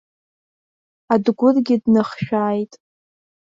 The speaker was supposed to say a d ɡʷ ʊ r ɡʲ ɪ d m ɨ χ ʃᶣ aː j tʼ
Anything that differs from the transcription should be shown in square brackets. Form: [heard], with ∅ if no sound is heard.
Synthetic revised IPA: a d ɡʷ ʊ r ɡʲ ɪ d [n] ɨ χ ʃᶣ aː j tʼ